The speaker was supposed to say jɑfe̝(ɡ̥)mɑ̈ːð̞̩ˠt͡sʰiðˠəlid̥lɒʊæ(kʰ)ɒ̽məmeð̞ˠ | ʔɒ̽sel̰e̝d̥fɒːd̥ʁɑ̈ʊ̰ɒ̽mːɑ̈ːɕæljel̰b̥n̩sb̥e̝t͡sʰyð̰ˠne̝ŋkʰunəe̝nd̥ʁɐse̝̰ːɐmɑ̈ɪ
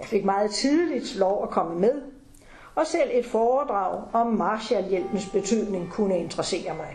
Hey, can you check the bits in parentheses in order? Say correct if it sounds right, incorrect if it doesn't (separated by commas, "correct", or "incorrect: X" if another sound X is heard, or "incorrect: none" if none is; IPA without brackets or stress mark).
correct, correct